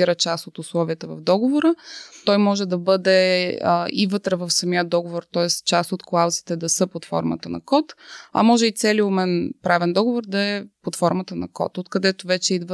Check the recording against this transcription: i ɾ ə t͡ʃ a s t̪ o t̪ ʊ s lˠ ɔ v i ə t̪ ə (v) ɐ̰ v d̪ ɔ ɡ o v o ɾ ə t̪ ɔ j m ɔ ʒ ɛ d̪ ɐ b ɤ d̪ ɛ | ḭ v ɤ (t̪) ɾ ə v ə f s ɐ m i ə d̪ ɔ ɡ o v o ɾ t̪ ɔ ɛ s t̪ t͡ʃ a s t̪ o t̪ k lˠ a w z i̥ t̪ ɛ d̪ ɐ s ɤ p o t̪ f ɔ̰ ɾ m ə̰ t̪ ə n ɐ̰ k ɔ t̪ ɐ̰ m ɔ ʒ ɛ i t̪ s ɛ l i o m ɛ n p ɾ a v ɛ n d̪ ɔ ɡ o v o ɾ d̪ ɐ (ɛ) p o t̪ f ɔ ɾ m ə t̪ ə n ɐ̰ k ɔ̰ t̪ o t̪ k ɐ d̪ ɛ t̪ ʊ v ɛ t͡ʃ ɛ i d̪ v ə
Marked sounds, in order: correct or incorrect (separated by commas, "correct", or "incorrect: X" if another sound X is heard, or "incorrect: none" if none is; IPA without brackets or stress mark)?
correct, correct, correct